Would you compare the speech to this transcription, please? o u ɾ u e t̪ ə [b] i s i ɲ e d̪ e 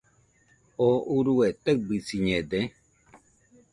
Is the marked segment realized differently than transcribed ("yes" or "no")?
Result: no